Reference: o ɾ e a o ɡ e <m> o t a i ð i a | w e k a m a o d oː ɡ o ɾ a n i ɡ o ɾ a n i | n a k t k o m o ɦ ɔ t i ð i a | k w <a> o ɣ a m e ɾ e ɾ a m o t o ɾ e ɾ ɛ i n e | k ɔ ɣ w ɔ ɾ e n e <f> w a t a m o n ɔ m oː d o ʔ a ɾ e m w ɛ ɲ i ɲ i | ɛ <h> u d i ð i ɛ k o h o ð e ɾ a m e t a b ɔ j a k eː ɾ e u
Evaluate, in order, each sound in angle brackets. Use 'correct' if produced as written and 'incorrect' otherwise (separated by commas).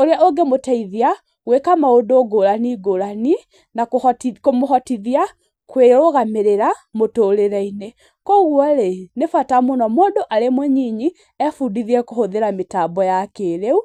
correct, incorrect, correct, incorrect